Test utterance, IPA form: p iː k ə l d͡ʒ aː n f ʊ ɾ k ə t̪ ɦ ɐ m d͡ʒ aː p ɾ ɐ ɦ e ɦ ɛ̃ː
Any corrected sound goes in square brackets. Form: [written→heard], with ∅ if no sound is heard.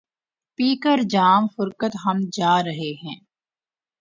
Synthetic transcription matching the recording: p iː k ə [l→ɾ] d͡ʒ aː [n→m] f ʊ ɾ k ə t̪ ɦ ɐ m d͡ʒ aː [p→∅] ɾ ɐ ɦ e ɦ ɛ̃ː

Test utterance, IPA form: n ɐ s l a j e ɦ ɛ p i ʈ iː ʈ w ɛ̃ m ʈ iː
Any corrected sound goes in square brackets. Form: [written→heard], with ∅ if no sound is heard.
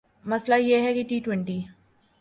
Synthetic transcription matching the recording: [n→m] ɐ s l a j e ɦ ɛ [p→k] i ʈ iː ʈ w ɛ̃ [m→ɳ] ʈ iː

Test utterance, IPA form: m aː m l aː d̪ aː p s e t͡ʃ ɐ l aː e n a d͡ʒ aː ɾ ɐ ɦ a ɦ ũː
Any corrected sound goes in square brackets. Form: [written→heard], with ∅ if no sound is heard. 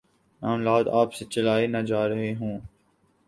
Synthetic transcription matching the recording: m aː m l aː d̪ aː p s e t͡ʃ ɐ l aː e n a d͡ʒ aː ɾ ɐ ɦ [a→e] ɦ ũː

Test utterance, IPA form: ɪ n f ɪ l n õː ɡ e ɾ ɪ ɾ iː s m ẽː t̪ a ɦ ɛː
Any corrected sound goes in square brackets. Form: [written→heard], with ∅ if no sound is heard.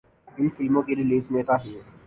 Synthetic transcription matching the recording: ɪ n f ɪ l [n→m] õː [ɡ→k] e ɾ ɪ [ɾ→l] iː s m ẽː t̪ a ɦ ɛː

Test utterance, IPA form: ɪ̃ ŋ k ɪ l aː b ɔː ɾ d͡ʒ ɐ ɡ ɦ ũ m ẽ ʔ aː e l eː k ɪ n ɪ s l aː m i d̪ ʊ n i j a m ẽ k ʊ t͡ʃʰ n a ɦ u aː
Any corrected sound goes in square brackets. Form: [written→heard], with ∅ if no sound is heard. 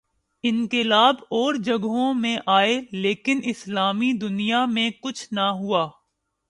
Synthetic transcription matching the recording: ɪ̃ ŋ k ɪ l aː b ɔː ɾ d͡ʒ ɐ ɡ ɦ [ũ→õ] m ẽ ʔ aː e l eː k ɪ n ɪ s l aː m i d̪ ʊ n i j a m ẽ k ʊ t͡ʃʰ n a ɦ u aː

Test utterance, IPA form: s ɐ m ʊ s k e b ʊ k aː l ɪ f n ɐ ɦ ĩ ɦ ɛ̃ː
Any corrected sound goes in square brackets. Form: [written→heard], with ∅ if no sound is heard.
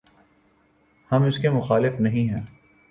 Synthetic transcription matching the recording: [s→h] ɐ m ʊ s k e [b→m] ʊ [k→x] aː l ɪ f n ɐ ɦ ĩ ɦ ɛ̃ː

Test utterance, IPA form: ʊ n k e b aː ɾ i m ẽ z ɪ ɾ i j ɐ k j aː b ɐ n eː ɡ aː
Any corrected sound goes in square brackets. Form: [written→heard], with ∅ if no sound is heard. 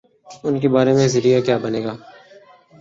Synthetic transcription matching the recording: ʊ n k e b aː ɾ [i→e] m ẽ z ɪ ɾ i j [ɐ→a] k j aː b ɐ n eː ɡ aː

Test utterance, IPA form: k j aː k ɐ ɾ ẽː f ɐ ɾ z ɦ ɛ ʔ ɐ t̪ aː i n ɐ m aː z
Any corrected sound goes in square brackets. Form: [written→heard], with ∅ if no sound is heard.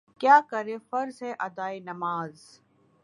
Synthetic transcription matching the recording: k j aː k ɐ ɾ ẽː f ɐ ɾ z ɦ ɛ ʔ ɐ [t̪→d̪] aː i n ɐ m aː z

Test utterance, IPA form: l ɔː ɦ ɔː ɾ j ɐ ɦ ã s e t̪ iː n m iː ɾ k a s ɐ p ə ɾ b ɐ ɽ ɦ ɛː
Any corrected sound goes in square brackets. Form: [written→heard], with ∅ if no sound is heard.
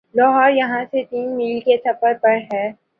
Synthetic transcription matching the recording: l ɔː ɦ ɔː ɾ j ɐ ɦ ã s e t̪ iː n m iː [ɾ→l] k [a→e] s ɐ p ə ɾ [b→p] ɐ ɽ ɦ ɛː

